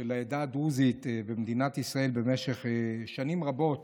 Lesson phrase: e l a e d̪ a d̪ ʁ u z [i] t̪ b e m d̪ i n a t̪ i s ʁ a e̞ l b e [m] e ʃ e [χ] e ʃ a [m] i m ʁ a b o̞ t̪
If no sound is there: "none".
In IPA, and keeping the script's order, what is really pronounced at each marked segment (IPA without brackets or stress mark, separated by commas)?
i, m, χ, n